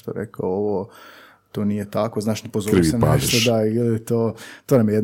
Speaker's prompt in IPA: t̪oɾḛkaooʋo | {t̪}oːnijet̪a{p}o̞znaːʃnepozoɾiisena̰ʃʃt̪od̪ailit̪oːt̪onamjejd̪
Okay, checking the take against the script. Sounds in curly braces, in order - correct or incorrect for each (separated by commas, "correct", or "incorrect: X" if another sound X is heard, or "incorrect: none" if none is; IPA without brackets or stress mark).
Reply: correct, incorrect: k